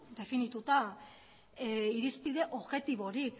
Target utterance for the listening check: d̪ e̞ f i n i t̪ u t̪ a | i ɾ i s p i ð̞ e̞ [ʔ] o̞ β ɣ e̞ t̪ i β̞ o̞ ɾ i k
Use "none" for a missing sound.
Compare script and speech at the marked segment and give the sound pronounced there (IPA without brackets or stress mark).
ʔ